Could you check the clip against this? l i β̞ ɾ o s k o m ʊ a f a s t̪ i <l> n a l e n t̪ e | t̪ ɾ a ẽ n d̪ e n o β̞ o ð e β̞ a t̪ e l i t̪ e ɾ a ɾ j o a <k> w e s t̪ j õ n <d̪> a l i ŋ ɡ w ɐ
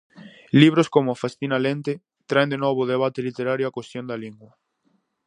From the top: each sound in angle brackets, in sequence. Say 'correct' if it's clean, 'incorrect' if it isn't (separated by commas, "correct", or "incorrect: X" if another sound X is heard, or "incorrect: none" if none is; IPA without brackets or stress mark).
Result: incorrect: none, correct, correct